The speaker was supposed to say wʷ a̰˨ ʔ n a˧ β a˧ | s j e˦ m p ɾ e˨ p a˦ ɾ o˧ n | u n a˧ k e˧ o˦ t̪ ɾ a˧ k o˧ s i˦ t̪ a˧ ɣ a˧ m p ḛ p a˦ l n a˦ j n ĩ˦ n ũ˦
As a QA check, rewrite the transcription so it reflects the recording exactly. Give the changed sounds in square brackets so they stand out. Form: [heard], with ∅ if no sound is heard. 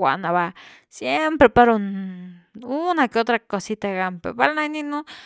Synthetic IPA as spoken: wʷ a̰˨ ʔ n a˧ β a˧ | s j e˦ m p ɾ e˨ p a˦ ɾ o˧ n | u n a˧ k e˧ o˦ t̪ ɾ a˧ k o˧ s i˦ t̪ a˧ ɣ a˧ m p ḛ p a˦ l n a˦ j n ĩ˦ n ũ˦